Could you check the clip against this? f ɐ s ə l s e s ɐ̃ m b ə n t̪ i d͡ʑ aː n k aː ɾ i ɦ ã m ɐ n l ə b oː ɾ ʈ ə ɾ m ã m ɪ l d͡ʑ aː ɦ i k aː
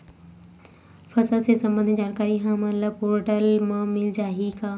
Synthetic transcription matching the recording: f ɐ s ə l s e s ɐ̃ m b ə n d̪ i d͡ʑ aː n k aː ɾ i ɦ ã m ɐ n l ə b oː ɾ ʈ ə l m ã m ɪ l d͡ʑ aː ɦ i k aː